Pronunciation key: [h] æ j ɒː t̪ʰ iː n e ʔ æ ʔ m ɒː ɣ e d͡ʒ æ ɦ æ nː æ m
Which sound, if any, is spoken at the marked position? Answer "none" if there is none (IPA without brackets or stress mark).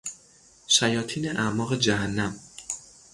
ʃ